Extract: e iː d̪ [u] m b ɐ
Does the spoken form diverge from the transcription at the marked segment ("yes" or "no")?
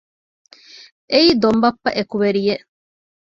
yes